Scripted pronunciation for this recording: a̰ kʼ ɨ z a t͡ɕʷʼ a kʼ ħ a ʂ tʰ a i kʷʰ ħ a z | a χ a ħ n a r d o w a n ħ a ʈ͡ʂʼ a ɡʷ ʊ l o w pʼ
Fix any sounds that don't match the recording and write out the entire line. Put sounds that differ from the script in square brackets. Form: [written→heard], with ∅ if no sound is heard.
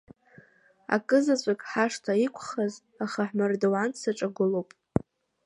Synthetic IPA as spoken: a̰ kʼ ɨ z a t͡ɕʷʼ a kʼ ħ a ʂ tʰ a i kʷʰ [ħ→χ] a z | a χ a ħ [n→m] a r d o w a n [ħ→s] a ʈ͡ʂʼ a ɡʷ ʊ l o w pʼ